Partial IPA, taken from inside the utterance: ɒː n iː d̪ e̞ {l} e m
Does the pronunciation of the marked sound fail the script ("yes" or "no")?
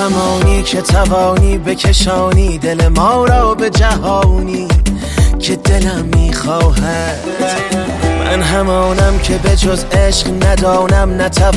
no